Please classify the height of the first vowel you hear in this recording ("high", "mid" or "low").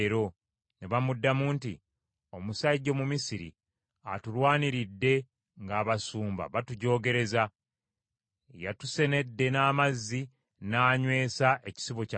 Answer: mid